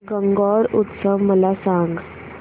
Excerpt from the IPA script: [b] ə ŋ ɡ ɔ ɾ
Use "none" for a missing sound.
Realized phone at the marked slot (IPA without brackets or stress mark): ɡ